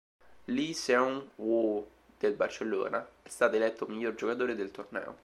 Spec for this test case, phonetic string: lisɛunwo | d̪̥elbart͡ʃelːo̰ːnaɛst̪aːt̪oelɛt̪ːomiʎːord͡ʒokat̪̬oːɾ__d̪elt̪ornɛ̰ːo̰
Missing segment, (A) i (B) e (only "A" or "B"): B